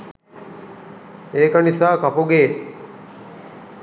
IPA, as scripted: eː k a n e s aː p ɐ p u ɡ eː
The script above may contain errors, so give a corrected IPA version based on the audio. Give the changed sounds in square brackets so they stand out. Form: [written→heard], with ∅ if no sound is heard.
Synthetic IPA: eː k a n [e→i] s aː [p→k] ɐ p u ɡ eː